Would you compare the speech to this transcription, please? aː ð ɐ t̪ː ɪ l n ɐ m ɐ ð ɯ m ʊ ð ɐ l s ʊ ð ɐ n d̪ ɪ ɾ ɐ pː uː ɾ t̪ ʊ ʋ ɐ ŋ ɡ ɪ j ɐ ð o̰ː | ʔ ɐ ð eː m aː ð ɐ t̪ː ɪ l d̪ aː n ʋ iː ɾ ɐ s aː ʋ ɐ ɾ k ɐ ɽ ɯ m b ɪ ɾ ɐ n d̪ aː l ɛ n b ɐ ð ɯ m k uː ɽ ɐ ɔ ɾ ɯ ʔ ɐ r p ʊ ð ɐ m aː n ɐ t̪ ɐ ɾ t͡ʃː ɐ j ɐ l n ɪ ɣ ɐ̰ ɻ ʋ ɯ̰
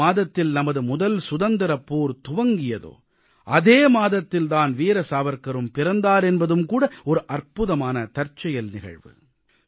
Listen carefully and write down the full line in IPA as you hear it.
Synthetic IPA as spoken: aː ð ɐ t̪ː ɪ l n ɐ m ɐ ð ɯ m ʊ ð ɐ l s ʊ ð ɐ n d̪ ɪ ɾ ɐ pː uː ɾ t̪ ʊ ʋ ɐ ŋ ɡ ɪ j ɐ ð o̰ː | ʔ ɐ ð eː m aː ð ɐ t̪ː ɪ l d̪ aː n ʋ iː ɾ ɐ s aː ʋ ɐ ɾ k ɐ ɾ ɯ m p ɪ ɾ ɐ n d̪ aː ɾ ɛ n b ɐ ð ɯ m k uː ɽ ɐ ɔ ɾ ɯ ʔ ɐ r p ʊ ð ɐ m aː n ɐ t̪ ɐ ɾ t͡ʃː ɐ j ɐ l n ɪ ɣ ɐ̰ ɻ ʋ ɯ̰

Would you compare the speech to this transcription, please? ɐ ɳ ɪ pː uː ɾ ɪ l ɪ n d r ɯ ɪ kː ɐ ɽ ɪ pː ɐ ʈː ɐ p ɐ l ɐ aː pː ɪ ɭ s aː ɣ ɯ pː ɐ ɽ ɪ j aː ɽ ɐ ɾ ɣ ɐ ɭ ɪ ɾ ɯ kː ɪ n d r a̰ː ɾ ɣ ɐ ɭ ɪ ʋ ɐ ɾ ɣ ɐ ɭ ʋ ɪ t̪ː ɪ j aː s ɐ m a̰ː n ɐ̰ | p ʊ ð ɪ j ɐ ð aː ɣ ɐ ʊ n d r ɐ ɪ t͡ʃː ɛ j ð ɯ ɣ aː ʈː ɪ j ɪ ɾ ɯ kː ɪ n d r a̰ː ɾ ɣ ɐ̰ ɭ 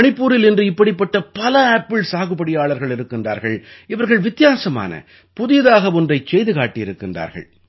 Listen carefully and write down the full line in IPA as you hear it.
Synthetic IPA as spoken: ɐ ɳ ɪ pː uː ɾ ɪ l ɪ n d r ɯ ɪ pː ɐ ɽ ɪ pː ɐ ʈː ɐ p ɐ l ɐ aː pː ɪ ɭ s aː ɣ ɯ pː ɐ ɽ ɪ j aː ɭ ɐ ɾ ɣ ɐ ɭ ɪ ɾ ɯ kː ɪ n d r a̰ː ɾ ɣ ɐ ɭ ɪ ʋ ɐ ɾ ɣ ɐ ɭ ʋ ɪ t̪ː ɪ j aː s ɐ m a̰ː n ɐ̰ | p ʊ ð ɪ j ɐ ð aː ɣ ɐ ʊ n d r ɐ ɪ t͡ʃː ɛ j ð ɯ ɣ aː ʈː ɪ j ɪ ɾ ɯ kː ɪ n d r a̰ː ɾ ɣ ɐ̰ ɭ

